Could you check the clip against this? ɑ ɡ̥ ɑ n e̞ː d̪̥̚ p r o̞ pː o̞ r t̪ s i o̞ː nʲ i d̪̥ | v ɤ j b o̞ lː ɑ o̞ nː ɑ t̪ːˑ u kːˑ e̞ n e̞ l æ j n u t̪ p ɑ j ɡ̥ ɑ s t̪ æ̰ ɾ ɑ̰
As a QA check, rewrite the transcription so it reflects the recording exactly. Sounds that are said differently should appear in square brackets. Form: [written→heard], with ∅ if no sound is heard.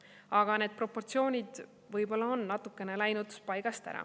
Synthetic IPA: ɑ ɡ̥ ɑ n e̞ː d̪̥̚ p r o̞ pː o̞ r t̪ s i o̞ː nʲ i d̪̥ | v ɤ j b o̞ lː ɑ o̞ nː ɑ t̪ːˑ u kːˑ e̞ n e̞ l æ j n u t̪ p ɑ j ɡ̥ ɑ s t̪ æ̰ ɾ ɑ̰

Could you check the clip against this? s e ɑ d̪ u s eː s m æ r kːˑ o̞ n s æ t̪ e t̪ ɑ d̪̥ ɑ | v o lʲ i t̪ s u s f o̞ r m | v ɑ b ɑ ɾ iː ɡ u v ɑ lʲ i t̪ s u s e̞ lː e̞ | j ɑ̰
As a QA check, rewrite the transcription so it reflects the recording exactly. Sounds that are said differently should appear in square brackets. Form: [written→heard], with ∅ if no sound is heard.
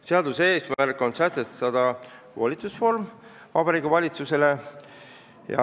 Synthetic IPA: s e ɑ d̪ u s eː s m æ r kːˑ o̞ n s æ t̪ e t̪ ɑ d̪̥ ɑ | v o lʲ i t̪ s u s f o̞ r m | v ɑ b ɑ ɾ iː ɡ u v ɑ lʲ i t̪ s u s e̞ [lː→l] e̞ | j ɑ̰

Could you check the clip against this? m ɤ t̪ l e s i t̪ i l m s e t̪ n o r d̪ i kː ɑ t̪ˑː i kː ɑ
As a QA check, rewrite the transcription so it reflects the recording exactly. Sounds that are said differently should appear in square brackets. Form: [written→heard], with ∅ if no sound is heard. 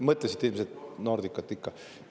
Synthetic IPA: m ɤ t̪ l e s i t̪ i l m s e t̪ n o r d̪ i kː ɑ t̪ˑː i kː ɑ

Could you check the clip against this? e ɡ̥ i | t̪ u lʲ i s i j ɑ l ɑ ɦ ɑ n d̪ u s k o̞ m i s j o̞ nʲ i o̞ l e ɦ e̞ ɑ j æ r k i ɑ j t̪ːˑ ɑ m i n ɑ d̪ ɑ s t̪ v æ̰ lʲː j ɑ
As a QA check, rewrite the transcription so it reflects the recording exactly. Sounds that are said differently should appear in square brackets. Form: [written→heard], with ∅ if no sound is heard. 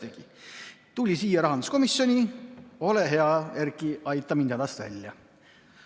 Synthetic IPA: e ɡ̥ i | t̪ u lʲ i s [i→iː] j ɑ [l→ɾ] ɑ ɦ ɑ n d̪ u s k o̞ m i s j o̞ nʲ i o̞ l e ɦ e̞ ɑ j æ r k i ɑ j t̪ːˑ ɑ m i n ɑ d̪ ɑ s t̪ v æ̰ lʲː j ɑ

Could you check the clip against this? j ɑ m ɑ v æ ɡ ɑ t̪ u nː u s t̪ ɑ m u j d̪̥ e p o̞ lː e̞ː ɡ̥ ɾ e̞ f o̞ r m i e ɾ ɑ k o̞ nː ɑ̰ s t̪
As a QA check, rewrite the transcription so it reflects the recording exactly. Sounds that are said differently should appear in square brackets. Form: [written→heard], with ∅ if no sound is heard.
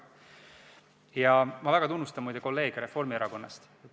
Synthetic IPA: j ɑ m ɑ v æ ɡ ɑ t̪ u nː u s t̪ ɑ m u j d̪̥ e [p→k] o̞ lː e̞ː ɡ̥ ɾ e̞ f o̞ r m i e ɾ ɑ k o̞ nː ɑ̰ s t̪

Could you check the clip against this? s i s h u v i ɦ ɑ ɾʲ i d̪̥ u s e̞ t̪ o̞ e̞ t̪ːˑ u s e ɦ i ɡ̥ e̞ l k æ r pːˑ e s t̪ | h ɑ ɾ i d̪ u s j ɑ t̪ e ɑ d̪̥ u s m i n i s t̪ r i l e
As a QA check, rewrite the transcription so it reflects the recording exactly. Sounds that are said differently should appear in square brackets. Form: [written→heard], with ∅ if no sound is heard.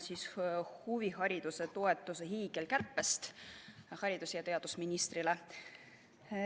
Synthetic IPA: s i s h u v i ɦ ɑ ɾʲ i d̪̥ u s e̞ t̪ o̞ e̞ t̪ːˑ u s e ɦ [i→iː] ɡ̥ e̞ l k æ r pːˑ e s t̪ | h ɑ ɾ i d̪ u s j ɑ t̪ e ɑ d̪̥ u s m i n i s t̪ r i l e

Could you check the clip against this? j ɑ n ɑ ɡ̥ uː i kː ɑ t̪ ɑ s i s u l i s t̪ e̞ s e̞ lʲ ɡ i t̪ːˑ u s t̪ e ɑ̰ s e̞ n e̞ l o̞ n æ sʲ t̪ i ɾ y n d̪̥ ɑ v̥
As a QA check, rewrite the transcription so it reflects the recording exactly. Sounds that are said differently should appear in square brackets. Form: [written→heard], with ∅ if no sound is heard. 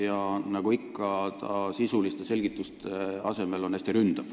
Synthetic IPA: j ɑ n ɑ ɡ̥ [uː→u] i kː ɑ t̪ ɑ s i s u l i s t̪ e̞ s e̞ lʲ ɡ i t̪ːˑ u s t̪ e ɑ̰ s e̞ [n→m] e̞ l o̞ n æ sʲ t̪ i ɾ y n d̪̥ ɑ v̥

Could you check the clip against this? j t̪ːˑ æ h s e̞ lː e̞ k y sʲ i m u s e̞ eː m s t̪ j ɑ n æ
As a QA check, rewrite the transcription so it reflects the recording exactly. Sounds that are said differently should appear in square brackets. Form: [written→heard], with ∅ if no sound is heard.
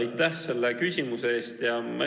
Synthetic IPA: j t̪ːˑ æ h s e̞ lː e̞ k y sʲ i m u s e̞ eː [m→∅] s t̪ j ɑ [n→m] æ

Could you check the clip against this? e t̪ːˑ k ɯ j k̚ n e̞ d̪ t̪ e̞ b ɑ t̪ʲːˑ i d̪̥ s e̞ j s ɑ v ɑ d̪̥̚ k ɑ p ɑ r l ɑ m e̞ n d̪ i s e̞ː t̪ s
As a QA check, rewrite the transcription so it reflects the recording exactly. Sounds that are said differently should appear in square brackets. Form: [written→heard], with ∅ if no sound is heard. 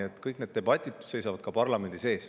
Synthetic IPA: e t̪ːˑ k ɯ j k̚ n e̞ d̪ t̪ e̞ b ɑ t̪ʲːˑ i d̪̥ s e̞ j s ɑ v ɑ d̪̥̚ k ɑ p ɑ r l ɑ m e̞ n d̪ i s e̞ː [t̪→∅] s

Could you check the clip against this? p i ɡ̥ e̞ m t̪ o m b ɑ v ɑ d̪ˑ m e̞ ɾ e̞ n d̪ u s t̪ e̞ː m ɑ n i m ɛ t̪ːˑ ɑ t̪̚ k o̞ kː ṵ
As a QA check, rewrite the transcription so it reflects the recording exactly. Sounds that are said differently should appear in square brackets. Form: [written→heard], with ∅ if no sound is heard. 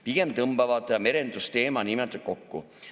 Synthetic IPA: p i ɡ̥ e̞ m t̪ [o→ɤ] m b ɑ v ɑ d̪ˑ m e̞ ɾ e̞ n d̪ u s t̪ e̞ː m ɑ n i m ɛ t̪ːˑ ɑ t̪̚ k o̞ kː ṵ

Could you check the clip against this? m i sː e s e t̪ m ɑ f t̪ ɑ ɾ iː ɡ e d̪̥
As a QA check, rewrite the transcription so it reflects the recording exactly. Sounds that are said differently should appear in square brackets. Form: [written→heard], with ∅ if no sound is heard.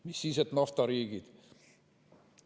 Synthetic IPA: m i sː [e→i] s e t̪ [m→n] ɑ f t̪ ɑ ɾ iː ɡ [e→i] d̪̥

